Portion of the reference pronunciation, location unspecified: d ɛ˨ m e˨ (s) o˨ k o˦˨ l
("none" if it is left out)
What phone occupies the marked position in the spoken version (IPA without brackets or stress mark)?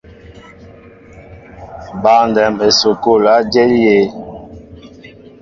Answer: s